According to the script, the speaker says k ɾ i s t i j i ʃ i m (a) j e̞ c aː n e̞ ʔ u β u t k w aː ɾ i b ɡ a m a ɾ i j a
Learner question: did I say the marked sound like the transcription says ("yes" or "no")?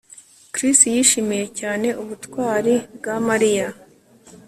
no